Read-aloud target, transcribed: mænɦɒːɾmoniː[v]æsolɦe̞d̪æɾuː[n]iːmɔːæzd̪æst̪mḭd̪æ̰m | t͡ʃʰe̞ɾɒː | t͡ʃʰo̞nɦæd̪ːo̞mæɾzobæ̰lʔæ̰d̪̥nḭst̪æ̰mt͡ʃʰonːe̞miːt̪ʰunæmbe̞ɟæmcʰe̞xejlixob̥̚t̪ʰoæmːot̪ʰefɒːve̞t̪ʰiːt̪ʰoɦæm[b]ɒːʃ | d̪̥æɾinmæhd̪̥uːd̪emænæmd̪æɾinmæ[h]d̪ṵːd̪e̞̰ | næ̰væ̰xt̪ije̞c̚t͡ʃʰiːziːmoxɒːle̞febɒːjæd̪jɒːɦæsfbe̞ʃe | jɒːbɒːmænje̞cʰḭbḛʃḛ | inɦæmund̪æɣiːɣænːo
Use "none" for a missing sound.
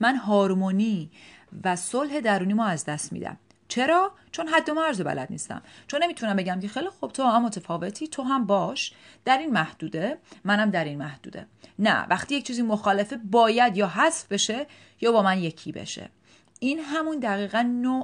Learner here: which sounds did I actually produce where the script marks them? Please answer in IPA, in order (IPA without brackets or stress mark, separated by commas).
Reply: v, n, b, h